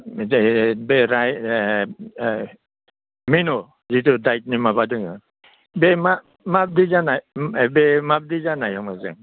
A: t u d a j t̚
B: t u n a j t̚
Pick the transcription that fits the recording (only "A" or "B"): A